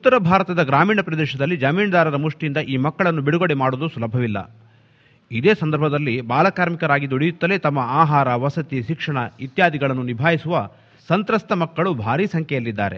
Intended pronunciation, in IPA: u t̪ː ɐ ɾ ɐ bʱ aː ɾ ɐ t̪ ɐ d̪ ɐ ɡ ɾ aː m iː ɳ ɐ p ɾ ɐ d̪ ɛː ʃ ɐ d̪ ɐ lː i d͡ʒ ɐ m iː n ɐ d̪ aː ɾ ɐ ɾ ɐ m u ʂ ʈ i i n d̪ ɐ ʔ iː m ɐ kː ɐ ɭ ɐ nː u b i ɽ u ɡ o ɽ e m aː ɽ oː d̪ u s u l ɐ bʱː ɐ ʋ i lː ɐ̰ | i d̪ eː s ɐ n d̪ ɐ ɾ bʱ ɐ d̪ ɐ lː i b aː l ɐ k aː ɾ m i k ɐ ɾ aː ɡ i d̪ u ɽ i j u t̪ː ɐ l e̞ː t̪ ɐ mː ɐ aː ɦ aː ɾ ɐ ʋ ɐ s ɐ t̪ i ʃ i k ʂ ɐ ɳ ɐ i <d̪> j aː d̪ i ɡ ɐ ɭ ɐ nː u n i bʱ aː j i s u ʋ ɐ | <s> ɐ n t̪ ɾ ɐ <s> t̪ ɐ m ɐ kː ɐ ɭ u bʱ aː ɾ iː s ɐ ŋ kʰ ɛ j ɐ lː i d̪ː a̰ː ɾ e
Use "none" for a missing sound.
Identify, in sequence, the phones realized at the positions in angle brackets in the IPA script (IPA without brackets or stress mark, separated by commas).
t̪, s, s